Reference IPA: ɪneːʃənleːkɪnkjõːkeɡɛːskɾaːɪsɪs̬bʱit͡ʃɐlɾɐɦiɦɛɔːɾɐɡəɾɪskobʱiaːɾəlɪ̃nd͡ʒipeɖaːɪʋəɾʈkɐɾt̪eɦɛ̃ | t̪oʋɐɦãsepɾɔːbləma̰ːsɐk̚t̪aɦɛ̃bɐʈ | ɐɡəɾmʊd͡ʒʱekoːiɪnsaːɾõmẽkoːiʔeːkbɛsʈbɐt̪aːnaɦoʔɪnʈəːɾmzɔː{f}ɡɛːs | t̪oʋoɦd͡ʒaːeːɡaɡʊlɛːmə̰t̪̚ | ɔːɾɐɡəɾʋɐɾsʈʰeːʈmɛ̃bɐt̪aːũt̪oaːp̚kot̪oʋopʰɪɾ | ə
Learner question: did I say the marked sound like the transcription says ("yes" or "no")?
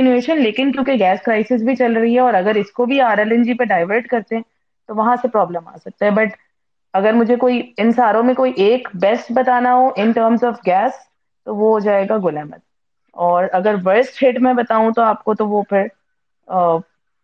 yes